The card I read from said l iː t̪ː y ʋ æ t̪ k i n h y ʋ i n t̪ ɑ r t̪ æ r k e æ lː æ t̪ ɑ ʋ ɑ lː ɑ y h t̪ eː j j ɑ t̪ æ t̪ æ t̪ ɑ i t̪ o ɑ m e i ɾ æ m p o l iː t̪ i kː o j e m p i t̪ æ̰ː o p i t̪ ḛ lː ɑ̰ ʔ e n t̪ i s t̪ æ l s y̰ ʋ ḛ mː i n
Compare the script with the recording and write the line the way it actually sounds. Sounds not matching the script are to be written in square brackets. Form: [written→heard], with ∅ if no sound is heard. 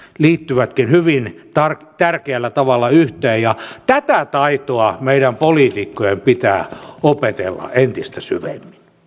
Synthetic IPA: l iː t̪ː y ʋ æ t̪ k i n h y ʋ i n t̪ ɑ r t̪ æ r k e æ lː æ t̪ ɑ ʋ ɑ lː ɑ y h t̪ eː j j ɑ t̪ æ t̪ æ t̪ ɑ i t̪ o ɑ m e i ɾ æ m p o l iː t̪ i kː o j e m p i t̪ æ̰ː o p [i→e] t̪ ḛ lː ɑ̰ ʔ e n t̪ i s t̪ æ [l→∅] s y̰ ʋ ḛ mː i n